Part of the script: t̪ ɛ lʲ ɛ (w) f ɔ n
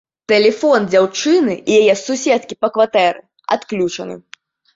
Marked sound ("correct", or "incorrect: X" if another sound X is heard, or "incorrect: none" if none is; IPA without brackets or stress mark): incorrect: none